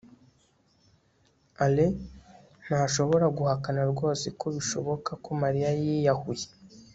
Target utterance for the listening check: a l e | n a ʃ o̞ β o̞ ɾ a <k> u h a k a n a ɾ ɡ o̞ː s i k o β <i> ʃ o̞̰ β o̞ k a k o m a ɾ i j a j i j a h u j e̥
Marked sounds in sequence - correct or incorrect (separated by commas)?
incorrect, correct